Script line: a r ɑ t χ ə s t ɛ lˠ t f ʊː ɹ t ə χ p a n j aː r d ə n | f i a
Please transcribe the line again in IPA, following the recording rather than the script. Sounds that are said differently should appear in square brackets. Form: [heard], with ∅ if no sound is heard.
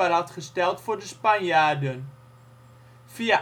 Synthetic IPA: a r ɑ t χ ə s t ɛ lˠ t f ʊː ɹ [d] ə [s] p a n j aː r d ə n | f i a

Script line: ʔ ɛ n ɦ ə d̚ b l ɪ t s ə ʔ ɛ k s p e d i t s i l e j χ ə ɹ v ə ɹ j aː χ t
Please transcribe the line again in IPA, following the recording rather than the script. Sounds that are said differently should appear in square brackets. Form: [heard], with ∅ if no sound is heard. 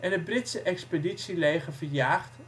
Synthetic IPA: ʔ ɛ n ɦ ə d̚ b [r] ɪ t s ə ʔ ɛ k s p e d i t s i l e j χ ə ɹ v ə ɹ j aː χ t

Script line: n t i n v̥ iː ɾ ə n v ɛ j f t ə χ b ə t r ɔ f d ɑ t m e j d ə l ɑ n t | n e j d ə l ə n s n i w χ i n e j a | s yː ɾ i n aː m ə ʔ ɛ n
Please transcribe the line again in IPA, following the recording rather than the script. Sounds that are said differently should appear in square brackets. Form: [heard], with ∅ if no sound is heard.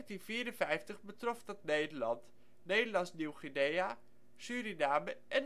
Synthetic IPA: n t i n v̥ iː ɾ ə n v ɛ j f t ə χ b ə t r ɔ f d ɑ t [n] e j d ə l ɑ n t | n e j d ə l [ɑ] n s n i w χ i n e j a | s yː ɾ i n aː m ə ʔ ɛ n

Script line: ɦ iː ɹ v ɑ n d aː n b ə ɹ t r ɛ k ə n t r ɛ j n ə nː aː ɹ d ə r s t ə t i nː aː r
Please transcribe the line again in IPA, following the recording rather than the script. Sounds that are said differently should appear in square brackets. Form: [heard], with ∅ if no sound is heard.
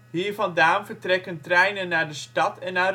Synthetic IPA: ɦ iː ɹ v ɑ n d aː n [v] ə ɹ t r ɛ k ə n t r ɛ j n ə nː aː ɹ d ə [∅] s t [ɑ] t [ɛ] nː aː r

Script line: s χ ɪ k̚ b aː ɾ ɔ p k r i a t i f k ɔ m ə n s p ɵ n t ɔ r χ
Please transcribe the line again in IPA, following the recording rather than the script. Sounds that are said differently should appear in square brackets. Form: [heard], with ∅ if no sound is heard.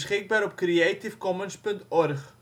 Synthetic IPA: s χ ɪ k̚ b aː ɾ ɔ p k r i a t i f k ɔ m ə n s p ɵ n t ɔ r χ

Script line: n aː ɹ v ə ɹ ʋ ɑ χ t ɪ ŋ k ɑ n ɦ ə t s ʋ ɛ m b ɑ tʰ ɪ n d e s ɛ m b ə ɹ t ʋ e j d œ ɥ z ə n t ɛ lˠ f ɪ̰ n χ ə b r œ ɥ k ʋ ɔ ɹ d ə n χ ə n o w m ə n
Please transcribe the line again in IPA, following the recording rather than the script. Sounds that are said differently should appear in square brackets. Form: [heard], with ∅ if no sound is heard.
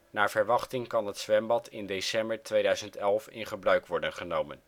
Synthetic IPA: n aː ɹ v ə ɹ ʋ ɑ χ t ɪ ŋ k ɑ n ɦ ə t s ʋ ɛ m b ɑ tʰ ɪ n d e s ɛ m b ə ɹ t ʋ e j d œ ɥ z ə n t ɛ lˠ f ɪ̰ n χ ə b r œ ɥ k ʋ ɔ ɹ d ə n χ ə n o w m ə n

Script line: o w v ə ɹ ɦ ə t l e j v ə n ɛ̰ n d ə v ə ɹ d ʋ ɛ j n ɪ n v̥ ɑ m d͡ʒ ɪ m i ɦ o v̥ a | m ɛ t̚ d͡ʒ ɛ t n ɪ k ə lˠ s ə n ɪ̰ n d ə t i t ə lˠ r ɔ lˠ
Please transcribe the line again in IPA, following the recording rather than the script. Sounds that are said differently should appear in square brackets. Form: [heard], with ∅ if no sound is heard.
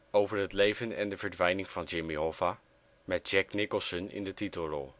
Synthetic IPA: o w v ə ɹ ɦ ə t l e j v ə n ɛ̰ n d ə v ə ɹ d ʋ ɛ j n ɪ [ŋ] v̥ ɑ [n] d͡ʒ ɪ m i ɦ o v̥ a | m ɛ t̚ d͡ʒ ɛ [k] n ɪ k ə lˠ s ə n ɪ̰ n d ə t i t ə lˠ r ɔ lˠ

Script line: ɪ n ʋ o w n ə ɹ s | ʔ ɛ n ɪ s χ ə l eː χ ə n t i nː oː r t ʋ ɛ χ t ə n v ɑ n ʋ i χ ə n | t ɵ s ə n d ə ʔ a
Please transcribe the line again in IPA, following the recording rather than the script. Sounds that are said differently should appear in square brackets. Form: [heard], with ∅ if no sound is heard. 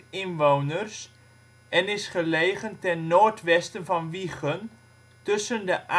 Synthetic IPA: ɪ n ʋ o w n ə [r] s | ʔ ɛ n ɪ s χ ə l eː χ ə n t [ɛ] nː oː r t ʋ ɛ [s] t ə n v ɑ n ʋ i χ ə n | t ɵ s ə n d ə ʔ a

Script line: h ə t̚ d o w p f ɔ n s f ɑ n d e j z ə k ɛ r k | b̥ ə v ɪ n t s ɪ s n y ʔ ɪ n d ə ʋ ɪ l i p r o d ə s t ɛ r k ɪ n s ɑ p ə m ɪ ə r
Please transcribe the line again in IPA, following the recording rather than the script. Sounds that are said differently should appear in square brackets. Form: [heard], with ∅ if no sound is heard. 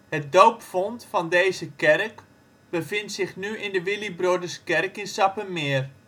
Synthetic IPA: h ə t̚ d o w p f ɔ n [t] f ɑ n d e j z ə k ɛ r k | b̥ ə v ɪ n t s ɪ [χ] n y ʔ ɪ n d ə ʋ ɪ l i [b] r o d ə s [k] ɛ r k ɪ n s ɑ p ə m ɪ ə r

